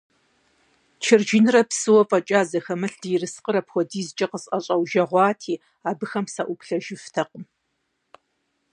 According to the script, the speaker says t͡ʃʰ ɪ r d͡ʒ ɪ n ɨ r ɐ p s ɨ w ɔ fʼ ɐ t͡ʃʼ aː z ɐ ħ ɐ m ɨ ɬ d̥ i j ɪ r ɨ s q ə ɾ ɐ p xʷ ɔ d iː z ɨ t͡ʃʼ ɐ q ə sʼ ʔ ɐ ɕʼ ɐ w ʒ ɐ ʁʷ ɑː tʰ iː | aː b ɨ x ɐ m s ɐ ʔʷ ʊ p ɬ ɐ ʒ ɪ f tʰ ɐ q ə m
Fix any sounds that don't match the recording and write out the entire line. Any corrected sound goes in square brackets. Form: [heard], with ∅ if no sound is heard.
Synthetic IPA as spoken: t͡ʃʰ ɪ r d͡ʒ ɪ n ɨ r ɐ p s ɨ w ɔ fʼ ɐ t͡ʃʼ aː z ɐ [x] ɐ m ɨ ɬ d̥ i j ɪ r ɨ s q ə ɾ ɐ p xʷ ɔ d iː z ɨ t͡ʃʼ ɐ q ə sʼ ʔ ɐ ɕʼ ɐ w ʒ ɐ ʁʷ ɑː tʰ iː | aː b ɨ x ɐ m s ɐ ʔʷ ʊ p ɬ ɐ ʒ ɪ f tʰ ɐ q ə m